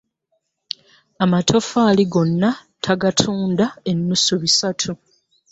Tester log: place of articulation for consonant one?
labial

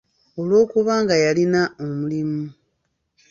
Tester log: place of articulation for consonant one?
alveolar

